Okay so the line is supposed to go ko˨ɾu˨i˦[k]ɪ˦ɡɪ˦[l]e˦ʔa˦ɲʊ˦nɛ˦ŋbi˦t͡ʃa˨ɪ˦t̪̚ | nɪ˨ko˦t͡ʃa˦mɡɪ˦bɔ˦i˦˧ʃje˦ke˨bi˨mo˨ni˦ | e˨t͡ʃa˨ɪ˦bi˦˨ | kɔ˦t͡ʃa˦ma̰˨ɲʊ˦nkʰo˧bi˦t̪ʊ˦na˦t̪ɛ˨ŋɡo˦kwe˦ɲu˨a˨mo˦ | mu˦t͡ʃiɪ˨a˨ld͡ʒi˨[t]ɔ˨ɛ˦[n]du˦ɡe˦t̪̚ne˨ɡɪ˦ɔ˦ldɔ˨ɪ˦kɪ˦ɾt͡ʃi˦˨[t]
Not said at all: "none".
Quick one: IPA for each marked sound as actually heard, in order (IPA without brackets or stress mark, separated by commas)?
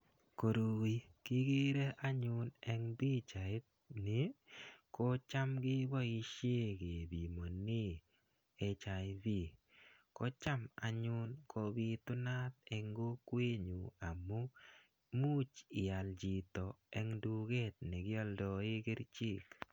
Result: k, ɾ, t, ŋ, k